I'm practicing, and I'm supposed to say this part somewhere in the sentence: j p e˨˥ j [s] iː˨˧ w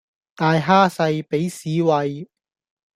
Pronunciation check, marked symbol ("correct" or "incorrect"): correct